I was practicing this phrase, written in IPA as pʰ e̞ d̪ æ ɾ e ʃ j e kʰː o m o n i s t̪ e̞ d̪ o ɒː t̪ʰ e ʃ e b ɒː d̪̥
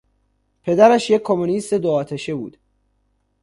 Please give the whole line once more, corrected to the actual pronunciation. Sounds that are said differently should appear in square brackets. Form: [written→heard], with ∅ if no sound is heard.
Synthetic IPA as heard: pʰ e̞ d̪ æ ɾ [e→æ] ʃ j e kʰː o m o n i s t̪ e̞ d̪ o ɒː t̪ʰ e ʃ e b [ɒː→uː] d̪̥